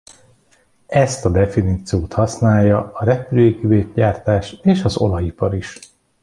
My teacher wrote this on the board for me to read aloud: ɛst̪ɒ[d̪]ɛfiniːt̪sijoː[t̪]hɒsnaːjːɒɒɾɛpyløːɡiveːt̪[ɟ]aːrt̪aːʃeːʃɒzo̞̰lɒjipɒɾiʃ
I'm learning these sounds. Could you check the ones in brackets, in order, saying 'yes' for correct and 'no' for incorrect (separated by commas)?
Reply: yes, yes, yes